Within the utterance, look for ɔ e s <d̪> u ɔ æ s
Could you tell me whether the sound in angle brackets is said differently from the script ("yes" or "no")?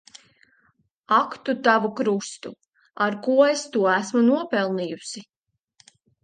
yes